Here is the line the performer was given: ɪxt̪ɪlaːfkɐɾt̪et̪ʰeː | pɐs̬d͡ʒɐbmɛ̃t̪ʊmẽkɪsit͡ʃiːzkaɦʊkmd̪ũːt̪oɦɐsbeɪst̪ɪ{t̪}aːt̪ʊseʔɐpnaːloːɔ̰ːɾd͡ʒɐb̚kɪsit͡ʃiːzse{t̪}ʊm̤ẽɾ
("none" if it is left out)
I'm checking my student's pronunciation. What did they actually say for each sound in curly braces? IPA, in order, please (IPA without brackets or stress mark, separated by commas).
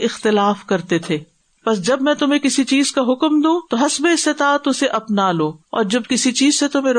t̪, t̪